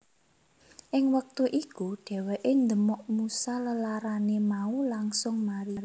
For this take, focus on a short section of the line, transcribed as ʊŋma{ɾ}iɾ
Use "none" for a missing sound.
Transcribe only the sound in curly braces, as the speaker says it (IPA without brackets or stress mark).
ɾ